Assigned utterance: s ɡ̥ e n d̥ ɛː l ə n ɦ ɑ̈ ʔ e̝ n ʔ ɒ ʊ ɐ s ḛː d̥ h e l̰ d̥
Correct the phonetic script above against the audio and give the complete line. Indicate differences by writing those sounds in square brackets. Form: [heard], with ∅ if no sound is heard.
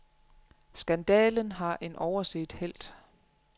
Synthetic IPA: s ɡ̥ [æ] n d̥ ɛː l ə n ɦ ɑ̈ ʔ e̝ n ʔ ɒ ʊ ɐ s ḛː d̥ h e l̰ d̥